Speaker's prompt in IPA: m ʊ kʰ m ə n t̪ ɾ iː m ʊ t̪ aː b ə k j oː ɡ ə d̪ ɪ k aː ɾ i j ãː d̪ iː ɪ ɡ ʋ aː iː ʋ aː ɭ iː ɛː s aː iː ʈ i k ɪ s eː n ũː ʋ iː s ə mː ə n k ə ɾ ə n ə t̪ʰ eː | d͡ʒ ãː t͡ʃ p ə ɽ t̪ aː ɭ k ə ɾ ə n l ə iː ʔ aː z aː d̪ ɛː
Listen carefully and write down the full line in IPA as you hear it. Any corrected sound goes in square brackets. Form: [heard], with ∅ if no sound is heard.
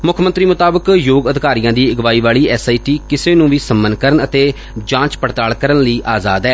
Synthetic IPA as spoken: m ʊ kʰ m ə n t̪ ɾ iː m ʊ t̪ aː b ə k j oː ɡ ə d̪ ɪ k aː ɾ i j ãː d̪ iː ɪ ɡ ʋ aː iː ʋ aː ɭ iː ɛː s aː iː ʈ [iː] k ɪ s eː n ũː ʋ iː s ə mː ə n k ə ɾ ə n ə [t̪] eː | d͡ʒ ãː t͡ʃ p ə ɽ t̪ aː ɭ k ə ɾ ə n l ə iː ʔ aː z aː d̪ ɛː

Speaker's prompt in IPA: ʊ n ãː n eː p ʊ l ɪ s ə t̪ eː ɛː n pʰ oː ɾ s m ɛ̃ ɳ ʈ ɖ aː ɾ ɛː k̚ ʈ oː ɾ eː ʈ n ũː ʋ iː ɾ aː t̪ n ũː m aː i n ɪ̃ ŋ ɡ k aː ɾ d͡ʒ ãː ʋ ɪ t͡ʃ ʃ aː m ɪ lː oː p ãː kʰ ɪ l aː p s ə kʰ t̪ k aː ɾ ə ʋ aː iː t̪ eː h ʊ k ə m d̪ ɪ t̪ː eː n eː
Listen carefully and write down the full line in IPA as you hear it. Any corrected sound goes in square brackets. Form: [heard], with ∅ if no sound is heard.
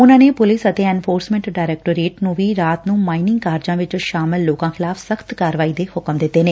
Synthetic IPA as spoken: ʊ n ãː n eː p ʊ l ɪ s ə t̪ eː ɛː n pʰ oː ɾ s m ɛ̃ ɳ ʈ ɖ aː ɾ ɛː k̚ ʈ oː ɾ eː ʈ n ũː ʋ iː ɾ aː t̪ n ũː m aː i n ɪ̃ ŋ ɡ k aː ɾ d͡ʒ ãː ʋ ɪ t͡ʃ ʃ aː m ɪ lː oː [k] ãː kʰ ɪ l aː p s ə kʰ t̪ k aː ɾ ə ʋ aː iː [d̪] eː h ʊ k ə m d̪ ɪ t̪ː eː n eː

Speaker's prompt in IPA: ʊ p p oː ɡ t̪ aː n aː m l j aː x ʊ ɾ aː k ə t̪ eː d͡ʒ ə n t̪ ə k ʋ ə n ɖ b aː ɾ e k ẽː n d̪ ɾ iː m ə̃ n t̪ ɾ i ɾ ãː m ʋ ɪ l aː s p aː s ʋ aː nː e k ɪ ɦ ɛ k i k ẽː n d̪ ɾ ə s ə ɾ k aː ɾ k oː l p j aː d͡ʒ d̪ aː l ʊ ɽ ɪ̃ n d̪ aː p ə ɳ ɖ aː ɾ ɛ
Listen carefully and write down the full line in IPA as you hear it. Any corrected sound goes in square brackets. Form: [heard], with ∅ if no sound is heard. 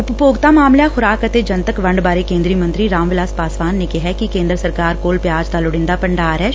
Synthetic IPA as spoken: ʊ p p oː ɡ t̪ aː [m] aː m l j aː x ʊ ɾ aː k ə t̪ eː d͡ʒ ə n t̪ ə k ʋ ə [ɳ] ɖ b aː ɾ e k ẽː n d̪ ɾ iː m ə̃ n t̪ ɾ i ɾ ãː m ʋ ɪ l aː s p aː s ʋ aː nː e k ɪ ɦ ɛ k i k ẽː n d̪ ɾ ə s ə ɾ k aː ɾ k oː l p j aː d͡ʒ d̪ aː l ʊ ɽ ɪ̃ n d̪ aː p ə ɳ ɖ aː ɾ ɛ

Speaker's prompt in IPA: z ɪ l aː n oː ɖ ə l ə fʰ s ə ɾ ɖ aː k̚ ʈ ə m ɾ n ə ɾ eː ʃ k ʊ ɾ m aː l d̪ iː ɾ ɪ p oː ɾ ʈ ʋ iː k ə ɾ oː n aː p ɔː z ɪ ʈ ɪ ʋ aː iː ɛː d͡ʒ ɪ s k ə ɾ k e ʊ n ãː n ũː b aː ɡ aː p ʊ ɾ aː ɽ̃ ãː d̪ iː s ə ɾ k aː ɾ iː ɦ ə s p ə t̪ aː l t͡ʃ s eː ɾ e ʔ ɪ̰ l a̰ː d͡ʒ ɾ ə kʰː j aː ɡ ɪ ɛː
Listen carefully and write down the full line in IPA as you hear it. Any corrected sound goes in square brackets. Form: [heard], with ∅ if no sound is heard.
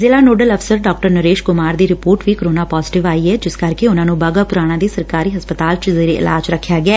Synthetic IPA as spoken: z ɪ l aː n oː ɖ ə l ə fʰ s ə ɾ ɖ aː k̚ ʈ ə [∅] ɾ n ə ɾ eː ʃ k ʊ [∅] m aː [ɾ] d̪ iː ɾ ɪ p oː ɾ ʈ ʋ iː k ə ɾ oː n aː p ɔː z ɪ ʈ ɪ ʋ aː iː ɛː d͡ʒ ɪ s k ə ɾ k e ʊ n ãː n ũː b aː ɡ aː p ʊ ɾ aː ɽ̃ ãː d̪ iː s ə ɾ k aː ɾ iː ɦ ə s p ə t̪ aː l t͡ʃ [z] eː ɾ e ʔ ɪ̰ l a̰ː d͡ʒ ɾ ə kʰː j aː ɡ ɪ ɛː

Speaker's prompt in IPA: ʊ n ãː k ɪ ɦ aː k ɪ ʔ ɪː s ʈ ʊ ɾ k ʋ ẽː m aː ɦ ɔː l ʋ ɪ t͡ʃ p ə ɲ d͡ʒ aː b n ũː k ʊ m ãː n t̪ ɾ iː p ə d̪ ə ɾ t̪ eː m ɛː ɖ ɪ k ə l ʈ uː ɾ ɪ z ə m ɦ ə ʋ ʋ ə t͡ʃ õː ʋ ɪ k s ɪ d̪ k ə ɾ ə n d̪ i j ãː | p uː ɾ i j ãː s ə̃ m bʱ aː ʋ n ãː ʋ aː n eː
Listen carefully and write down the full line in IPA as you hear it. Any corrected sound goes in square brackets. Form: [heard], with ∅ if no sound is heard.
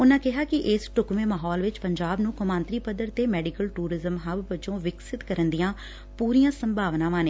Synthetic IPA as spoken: ʊ n ãː k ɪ ɦ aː k ɪ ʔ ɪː s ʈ ʊ [∅] k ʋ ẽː m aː ɦ ɔː l ʋ ɪ t͡ʃ p ə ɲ d͡ʒ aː b n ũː k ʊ m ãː n t̪ ɾ iː p ə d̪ ə ɾ t̪ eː m ɛː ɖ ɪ k ə l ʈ uː ɾ ɪ z ə m ɦ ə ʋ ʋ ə t͡ʃ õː ʋ ɪ k s ɪ [t̪] k ə ɾ ə n d̪ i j ãː | p uː ɾ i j ãː s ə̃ m bʱ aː ʋ n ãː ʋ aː n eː

